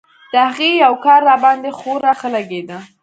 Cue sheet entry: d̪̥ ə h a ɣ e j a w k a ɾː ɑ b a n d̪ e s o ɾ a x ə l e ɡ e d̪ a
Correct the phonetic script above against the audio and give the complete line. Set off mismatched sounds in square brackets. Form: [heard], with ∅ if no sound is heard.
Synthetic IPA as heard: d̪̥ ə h a ɣ e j a w k [ɑ] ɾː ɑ b [ɑ] n d̪ e [x] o ɾ a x ə l [a] ɡ e d̪ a